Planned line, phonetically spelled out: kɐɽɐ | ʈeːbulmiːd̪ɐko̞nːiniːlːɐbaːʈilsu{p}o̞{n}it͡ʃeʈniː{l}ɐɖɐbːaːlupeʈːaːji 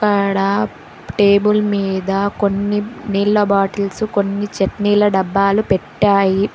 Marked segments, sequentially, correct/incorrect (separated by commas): incorrect, incorrect, correct